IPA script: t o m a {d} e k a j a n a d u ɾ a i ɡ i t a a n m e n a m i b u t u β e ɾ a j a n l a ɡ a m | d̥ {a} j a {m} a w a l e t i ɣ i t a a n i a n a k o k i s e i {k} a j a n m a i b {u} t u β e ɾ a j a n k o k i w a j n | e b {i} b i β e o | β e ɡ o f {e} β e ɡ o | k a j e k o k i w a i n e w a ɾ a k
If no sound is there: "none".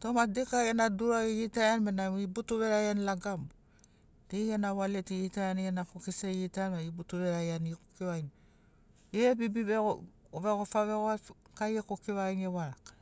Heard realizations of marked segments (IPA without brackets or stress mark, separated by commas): d, e, n, t, u, i, a